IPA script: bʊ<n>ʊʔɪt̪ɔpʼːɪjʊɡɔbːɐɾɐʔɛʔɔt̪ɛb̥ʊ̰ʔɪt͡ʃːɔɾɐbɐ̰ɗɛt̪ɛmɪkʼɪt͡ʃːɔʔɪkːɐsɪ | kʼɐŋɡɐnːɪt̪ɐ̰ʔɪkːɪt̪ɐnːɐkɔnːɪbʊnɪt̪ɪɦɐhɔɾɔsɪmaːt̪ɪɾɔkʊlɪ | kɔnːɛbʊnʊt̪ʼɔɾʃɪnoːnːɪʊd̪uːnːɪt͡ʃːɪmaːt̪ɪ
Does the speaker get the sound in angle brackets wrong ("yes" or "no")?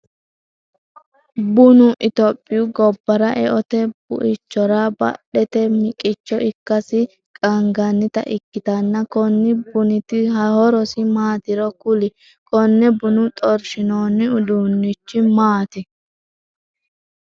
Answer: no